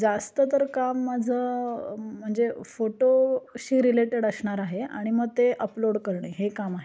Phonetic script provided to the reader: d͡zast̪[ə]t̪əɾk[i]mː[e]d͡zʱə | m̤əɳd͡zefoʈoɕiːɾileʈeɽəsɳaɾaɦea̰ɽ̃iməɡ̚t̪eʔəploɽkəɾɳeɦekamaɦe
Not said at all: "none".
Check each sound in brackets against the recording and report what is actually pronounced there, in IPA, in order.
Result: ə, a, a

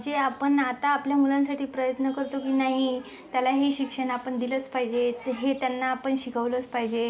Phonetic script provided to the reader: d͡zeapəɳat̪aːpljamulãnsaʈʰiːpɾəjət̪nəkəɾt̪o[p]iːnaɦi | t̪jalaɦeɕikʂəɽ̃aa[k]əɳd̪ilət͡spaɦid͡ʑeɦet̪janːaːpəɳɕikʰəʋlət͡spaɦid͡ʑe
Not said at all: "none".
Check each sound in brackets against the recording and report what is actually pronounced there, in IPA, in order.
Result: k, p

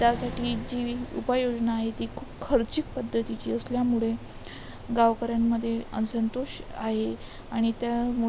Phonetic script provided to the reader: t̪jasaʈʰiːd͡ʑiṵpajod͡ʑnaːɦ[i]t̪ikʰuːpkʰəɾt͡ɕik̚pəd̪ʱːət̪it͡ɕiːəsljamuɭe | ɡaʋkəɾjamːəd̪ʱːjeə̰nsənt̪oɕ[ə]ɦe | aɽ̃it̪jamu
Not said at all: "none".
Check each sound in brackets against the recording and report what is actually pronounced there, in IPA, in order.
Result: e, a

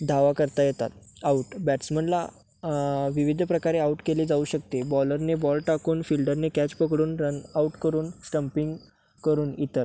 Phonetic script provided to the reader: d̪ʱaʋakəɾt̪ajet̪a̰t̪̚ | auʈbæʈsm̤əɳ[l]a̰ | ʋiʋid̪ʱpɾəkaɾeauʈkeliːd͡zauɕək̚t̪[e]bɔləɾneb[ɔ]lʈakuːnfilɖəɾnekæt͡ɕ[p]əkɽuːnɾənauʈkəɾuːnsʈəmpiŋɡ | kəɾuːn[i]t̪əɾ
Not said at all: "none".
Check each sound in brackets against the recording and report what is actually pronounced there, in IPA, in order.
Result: l, e, ɔ, p, i

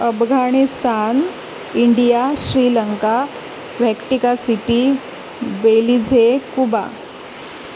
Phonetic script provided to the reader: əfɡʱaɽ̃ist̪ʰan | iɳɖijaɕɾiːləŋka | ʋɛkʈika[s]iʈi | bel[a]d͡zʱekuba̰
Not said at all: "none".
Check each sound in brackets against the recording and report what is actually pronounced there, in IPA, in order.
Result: s, i

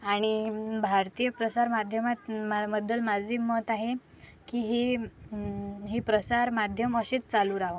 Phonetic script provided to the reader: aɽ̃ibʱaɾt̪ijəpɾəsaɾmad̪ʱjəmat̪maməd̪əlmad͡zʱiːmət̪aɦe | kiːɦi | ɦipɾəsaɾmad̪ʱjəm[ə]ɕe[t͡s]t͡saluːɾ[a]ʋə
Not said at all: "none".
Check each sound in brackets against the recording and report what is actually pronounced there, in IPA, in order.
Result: ə, t͡s, a

